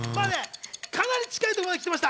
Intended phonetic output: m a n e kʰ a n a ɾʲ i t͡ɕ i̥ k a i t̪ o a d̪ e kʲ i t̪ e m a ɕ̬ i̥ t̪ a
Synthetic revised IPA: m a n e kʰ a n a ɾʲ i t͡ɕ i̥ k a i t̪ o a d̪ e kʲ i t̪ e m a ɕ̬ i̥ t̪ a